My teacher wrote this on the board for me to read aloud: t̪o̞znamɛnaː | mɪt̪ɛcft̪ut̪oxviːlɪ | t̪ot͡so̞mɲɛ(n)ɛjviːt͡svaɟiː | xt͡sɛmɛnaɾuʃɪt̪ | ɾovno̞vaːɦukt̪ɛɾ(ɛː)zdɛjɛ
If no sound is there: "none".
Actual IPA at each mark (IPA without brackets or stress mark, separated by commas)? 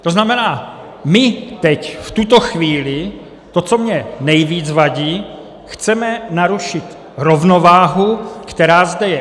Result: n, aː